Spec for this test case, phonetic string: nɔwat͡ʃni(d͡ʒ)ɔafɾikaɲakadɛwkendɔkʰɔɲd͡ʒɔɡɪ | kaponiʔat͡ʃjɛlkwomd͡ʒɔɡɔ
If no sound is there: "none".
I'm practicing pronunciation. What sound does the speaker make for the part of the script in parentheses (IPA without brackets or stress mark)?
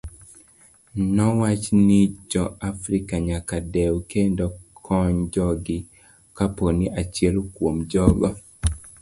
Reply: d͡ʒ